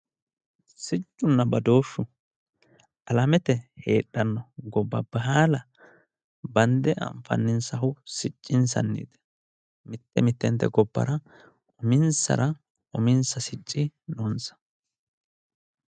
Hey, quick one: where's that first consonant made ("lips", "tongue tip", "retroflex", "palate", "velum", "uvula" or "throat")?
tongue tip